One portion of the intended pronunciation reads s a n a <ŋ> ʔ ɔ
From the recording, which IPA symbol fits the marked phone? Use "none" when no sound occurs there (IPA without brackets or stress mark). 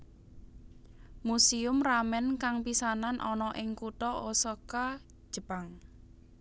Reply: n